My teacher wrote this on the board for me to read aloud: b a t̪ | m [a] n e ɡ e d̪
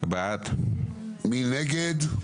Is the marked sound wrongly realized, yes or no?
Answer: yes